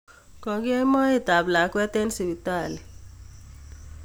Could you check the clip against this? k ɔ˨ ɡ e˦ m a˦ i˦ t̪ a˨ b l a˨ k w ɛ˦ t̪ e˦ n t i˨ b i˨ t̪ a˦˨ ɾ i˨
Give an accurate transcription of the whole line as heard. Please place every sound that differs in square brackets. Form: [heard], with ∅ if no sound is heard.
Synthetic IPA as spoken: k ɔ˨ ɡ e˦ m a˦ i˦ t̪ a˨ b l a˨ k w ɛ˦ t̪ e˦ n [s] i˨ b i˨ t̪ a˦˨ [l] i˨